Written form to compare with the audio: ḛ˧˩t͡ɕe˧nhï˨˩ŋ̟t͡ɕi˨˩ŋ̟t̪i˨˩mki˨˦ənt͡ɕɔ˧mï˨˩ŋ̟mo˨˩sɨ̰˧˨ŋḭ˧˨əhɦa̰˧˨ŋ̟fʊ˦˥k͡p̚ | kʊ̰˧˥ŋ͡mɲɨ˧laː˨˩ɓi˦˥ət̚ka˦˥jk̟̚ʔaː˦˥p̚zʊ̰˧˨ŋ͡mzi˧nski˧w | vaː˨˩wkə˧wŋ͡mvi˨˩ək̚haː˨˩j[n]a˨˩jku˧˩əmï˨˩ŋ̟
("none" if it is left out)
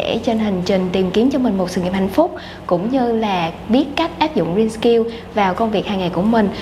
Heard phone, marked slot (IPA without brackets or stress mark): ŋ